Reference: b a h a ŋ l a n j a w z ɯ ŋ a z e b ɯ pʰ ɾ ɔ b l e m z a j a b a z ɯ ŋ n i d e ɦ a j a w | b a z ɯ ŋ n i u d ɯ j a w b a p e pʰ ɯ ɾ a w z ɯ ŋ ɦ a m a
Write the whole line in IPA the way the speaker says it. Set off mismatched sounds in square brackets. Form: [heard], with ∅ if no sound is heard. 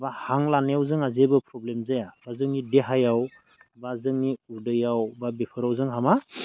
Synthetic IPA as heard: b a h a ŋ l a n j a w z ɯ ŋ a z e b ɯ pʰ ɾ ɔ b l e m z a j a b a z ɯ ŋ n i d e ɦ a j a w | b a z ɯ ŋ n i u d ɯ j a w b a [b] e pʰ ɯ ɾ a w z ɯ ŋ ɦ a m a